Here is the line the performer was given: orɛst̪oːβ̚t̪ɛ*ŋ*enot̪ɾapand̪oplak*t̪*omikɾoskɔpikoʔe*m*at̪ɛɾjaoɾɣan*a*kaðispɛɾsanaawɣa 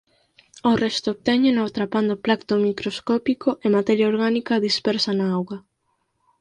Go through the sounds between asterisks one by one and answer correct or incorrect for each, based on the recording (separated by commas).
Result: incorrect, correct, correct, incorrect